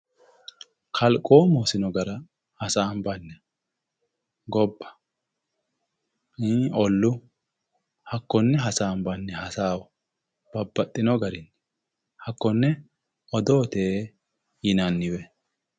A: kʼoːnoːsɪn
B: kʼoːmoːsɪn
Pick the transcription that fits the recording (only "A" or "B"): B